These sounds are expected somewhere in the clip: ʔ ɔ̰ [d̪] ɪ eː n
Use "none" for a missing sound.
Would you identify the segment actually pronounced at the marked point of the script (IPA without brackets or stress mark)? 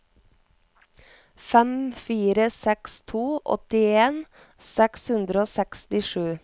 t̪